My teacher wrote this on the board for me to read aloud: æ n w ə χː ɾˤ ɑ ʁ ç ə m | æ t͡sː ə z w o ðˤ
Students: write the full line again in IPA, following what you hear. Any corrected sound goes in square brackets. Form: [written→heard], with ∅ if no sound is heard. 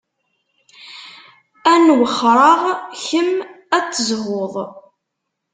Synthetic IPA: æ n w ə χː ɾˤ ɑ ʁ ç ə m | æ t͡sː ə z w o ðˤ